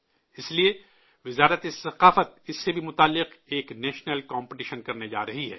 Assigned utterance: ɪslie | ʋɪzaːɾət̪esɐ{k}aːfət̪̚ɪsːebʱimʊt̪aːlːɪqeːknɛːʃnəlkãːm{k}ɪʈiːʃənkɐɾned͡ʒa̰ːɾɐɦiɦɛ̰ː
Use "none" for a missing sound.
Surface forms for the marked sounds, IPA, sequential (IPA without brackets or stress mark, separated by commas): q, p